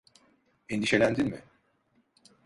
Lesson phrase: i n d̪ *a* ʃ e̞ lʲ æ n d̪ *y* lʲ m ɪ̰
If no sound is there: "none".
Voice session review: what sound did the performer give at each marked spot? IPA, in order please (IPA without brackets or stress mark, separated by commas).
i, i